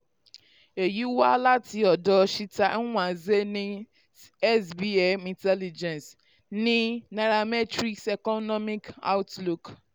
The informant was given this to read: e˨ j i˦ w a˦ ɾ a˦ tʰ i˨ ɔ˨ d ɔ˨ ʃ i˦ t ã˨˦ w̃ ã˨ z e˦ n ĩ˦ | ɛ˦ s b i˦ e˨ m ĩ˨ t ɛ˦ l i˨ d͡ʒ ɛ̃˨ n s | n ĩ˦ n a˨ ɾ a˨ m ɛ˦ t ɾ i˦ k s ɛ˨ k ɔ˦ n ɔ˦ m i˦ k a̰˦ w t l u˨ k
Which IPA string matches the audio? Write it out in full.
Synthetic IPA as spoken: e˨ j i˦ w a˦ l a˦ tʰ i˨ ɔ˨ d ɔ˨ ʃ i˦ t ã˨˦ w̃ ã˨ z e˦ n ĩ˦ | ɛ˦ s b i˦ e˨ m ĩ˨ t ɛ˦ l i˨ d͡ʒ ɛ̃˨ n s | n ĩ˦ n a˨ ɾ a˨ m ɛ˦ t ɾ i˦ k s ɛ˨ k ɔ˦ n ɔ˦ m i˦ k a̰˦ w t l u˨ k